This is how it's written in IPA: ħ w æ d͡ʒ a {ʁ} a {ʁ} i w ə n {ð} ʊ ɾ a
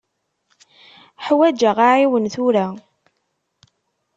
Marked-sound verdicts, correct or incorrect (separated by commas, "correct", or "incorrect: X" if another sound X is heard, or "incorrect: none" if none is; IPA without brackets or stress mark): correct, incorrect: ʕ, incorrect: θ